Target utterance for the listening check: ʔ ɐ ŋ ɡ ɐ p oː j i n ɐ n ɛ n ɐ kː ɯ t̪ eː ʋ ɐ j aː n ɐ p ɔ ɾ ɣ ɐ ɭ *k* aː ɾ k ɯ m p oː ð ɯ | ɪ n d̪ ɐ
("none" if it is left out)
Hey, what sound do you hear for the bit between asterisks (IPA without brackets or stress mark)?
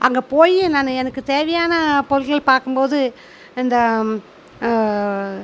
p